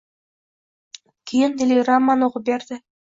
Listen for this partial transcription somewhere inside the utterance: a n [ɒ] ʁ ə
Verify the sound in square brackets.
incorrect: o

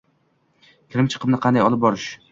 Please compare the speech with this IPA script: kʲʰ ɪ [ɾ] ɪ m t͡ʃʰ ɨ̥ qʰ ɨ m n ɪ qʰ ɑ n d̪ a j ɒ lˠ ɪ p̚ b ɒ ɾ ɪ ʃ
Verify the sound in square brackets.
correct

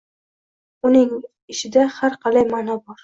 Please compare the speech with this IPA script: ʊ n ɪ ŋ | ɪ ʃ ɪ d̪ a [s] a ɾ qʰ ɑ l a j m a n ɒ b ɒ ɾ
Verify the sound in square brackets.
incorrect: h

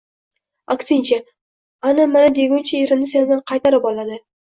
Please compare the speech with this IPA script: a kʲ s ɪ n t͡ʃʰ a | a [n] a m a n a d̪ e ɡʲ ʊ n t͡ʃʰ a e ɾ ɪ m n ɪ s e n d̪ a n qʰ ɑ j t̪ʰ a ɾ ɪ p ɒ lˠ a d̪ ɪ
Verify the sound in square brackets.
correct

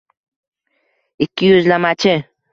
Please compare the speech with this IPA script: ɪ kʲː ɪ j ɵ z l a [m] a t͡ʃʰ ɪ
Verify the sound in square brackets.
correct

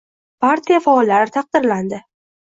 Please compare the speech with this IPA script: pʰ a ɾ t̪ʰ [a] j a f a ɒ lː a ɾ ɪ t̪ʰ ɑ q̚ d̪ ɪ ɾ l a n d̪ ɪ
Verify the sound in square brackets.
incorrect: i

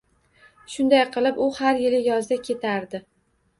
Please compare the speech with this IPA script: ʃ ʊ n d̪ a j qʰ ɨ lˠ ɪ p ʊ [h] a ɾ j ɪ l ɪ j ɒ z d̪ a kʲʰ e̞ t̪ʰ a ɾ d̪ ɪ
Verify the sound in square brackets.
correct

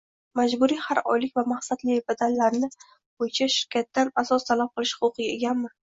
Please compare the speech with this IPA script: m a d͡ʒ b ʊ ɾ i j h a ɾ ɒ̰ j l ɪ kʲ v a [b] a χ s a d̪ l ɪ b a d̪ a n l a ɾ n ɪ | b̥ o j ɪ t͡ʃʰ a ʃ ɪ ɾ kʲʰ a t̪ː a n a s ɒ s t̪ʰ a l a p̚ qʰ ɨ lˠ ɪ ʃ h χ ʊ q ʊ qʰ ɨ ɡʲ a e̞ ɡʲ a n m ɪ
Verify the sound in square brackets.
incorrect: m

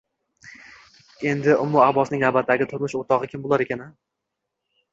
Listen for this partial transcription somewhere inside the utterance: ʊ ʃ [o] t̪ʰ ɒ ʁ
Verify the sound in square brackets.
correct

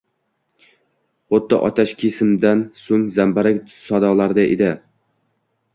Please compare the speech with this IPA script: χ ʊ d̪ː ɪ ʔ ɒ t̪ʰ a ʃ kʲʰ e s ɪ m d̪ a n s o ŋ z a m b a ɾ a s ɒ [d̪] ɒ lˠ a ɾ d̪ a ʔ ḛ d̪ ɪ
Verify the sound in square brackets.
correct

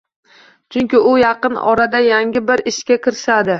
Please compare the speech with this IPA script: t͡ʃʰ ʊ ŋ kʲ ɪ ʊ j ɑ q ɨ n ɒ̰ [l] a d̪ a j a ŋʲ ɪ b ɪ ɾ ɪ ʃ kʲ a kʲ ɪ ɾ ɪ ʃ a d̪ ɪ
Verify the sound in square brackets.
incorrect: ɾ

